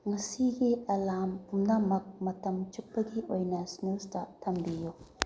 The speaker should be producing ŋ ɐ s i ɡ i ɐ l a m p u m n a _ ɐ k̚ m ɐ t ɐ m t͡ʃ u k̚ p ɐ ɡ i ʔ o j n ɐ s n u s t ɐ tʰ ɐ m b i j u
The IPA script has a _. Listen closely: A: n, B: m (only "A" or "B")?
B